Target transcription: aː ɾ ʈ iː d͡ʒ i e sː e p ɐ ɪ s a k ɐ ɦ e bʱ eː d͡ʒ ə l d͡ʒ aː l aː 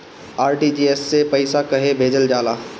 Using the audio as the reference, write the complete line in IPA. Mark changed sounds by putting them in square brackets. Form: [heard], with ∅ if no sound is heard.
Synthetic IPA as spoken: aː ɾ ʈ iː d͡ʒ i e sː e p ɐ ɪ s a k ɐ ɦ e bʱ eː d͡ʒ ə l d͡ʒ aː l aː